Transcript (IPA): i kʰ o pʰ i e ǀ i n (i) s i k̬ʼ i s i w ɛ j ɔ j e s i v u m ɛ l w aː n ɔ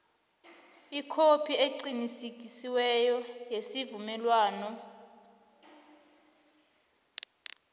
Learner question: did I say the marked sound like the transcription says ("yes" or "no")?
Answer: yes